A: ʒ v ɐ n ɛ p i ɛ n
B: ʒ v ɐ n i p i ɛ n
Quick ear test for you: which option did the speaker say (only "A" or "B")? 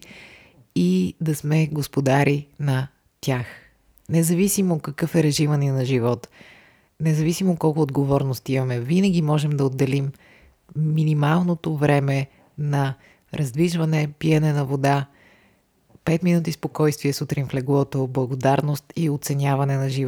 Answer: A